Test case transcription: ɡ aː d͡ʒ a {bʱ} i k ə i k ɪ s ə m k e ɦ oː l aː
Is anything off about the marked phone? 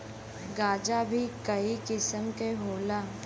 no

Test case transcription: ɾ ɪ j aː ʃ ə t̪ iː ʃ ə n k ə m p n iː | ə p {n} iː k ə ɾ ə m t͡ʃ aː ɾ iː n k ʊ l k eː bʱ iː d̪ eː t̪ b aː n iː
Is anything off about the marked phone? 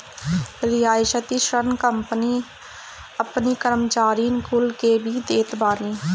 no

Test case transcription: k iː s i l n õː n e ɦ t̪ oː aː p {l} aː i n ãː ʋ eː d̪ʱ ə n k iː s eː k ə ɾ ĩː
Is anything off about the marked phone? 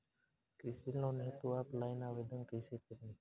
no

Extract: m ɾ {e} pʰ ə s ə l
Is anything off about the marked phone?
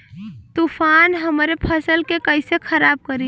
no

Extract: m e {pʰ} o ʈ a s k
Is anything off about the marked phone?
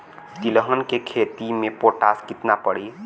yes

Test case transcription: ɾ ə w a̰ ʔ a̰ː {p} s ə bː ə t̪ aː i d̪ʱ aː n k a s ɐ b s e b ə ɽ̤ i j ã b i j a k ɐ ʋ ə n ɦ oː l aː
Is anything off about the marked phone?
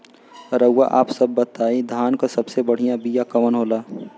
no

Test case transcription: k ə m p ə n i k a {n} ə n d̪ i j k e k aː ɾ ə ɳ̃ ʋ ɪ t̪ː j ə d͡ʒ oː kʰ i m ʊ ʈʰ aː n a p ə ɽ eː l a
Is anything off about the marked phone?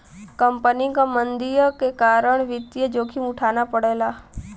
yes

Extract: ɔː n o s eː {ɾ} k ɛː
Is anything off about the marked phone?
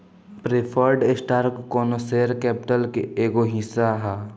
no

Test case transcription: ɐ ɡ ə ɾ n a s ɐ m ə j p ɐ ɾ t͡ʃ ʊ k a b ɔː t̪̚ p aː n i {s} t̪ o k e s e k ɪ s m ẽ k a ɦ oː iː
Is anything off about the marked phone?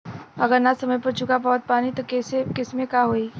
yes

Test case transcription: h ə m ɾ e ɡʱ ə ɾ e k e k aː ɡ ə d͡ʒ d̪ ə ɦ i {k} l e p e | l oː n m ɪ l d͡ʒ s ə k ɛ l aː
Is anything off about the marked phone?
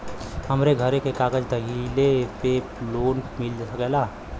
yes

